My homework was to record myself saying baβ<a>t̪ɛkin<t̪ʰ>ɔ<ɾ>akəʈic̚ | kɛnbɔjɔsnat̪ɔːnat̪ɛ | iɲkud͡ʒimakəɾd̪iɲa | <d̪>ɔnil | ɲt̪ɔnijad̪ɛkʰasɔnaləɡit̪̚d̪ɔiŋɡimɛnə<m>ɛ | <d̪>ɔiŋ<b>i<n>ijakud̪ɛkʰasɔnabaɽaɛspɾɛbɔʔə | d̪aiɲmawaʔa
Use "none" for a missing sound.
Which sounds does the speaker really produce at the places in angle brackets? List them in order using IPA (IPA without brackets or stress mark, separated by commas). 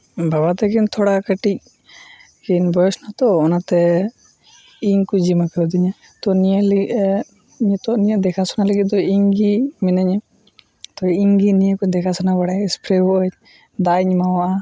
a, t̪ʰ, ɽ, t̪, ɲ, t̪, ɡ, n